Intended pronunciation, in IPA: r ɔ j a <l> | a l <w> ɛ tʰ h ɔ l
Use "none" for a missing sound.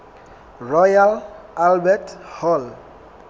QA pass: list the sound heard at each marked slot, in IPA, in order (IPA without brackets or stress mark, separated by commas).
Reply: l, b